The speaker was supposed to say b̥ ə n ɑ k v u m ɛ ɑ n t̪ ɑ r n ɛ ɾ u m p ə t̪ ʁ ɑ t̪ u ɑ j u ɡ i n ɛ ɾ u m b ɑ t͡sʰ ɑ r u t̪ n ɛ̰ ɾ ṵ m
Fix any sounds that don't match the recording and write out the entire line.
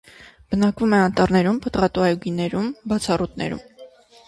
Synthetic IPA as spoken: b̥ ə n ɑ k v u m ɛ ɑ n t̪ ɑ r n ɛ ɾ u m p ə t̪ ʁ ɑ t̪ u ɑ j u ɡ i n ɛ ɾ u m b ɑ t͡sʰ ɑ r u t̪ n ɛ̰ ɾ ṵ m